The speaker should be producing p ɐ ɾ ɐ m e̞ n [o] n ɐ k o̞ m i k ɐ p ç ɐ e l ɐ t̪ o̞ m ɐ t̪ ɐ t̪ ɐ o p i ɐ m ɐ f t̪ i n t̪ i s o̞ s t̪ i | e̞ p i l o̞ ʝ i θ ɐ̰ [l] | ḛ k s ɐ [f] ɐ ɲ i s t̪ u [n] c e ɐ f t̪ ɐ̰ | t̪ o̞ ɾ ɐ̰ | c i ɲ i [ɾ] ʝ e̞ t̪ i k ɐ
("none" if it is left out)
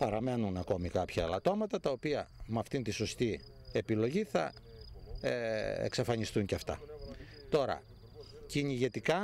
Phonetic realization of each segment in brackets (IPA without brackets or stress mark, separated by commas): u, none, f, ɲ, none